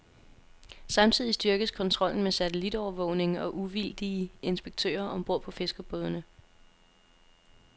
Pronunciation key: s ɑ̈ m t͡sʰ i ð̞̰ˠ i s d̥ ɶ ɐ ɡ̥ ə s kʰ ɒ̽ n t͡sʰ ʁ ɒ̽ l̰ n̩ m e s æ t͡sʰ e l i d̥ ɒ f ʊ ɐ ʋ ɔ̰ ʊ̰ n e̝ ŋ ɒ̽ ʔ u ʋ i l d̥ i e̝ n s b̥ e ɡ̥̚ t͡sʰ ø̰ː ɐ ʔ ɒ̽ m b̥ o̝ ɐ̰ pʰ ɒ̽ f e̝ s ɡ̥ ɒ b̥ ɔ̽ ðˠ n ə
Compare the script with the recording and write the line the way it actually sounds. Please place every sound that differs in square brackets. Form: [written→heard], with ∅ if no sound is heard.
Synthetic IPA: s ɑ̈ m t͡sʰ i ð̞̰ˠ i s d̥ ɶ ɐ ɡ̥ ə s kʰ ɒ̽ n t͡sʰ ʁ ɒ̽ l̰ n̩ m e s æ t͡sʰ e l i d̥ ɒ [f→∅] ʊ ɐ ʋ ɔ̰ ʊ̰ n e̝ ŋ ɒ̽ ʔ u ʋ i l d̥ i e̝ n s b̥ e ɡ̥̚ t͡sʰ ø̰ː ɐ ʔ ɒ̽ m b̥ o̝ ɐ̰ pʰ ɒ̽ f e̝ s ɡ̥ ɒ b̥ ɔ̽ ðˠ n ə

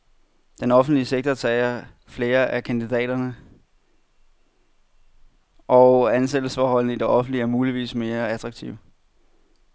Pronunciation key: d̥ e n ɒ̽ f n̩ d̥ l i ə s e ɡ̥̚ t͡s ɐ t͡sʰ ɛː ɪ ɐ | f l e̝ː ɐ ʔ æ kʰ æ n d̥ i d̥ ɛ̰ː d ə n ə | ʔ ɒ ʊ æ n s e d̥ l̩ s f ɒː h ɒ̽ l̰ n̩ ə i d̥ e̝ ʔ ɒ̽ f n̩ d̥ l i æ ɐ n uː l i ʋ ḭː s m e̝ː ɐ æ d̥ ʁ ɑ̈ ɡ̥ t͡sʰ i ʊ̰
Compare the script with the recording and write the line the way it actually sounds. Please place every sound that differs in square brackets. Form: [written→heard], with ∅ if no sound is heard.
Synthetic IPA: d̥ e n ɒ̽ f n̩ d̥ l i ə s e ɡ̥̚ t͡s ɐ t͡sʰ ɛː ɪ ɐ | f l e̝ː ɐ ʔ æ kʰ æ n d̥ i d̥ ɛ̰ː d [ə→ɐ] n ə | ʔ ɒ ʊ æ n s e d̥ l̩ s f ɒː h ɒ̽ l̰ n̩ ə i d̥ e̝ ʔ ɒ̽ f n̩ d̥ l i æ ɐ [n→m] uː l i ʋ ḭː s m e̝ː ɐ æ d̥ ʁ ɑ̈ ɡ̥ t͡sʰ i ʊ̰

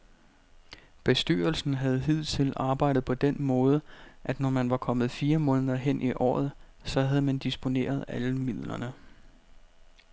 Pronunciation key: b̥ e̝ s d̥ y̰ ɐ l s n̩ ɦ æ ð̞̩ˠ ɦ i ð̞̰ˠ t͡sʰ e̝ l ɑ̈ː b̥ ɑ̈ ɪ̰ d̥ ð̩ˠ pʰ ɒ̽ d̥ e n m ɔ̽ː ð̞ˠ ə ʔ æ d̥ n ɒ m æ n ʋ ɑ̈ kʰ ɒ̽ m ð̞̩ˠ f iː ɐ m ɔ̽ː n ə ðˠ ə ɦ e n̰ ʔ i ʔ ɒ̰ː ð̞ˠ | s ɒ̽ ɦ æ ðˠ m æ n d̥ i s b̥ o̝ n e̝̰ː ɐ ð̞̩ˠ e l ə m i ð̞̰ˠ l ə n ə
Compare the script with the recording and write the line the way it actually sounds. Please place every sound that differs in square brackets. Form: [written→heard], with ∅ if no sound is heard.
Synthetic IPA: b̥ e̝ s d̥ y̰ ɐ l s n̩ ɦ æ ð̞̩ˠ ɦ i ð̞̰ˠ t͡sʰ e̝ l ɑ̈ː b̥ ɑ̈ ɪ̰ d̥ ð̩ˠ pʰ ɒ̽ d̥ e n m ɔ̽ː ð̞ˠ ə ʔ æ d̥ n ɒ m æ n ʋ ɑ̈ kʰ ɒ̽ m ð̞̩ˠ f iː ɐ m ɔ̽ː n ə ðˠ [ə→ɐ] ɦ e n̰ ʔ i ʔ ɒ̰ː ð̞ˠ | s ɒ̽ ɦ æ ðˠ m æ n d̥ i s b̥ o̝ n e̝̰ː ɐ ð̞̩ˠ [e→æ] l ə m i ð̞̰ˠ l [ə→ɐ] n ə

